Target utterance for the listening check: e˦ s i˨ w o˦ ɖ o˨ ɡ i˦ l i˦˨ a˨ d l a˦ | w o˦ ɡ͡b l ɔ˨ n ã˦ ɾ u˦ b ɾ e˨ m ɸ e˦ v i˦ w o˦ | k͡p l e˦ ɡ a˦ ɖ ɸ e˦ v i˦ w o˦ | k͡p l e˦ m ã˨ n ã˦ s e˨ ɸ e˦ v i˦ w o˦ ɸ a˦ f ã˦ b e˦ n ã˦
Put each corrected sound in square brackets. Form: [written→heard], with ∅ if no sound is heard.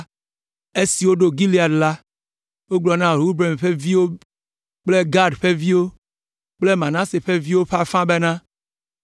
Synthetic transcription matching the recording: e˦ s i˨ w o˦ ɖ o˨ ɡ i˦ l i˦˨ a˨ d l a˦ | w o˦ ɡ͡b l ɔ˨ n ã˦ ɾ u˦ b ɾ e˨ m ɸ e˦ v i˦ w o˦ | k͡p l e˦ ɡ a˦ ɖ ɸ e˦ v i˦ w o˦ | k͡p l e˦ m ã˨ n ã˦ s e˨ ɸ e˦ v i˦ w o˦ ɸ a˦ f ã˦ b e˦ n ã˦